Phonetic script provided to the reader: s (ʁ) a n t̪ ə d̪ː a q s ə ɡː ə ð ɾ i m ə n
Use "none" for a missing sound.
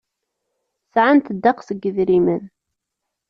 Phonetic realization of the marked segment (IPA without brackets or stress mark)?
ʕ